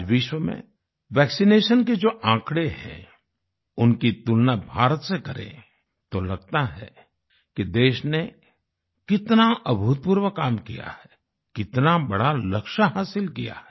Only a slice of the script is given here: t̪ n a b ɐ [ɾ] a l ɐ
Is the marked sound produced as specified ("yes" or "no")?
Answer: no